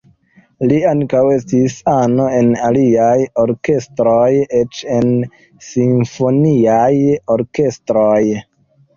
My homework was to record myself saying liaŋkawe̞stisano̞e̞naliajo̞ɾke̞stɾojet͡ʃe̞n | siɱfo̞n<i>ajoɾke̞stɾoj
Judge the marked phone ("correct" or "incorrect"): correct